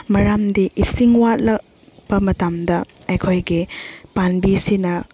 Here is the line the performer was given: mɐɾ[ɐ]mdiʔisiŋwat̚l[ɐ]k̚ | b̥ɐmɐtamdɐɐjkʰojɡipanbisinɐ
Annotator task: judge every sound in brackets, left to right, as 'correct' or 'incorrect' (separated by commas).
incorrect, correct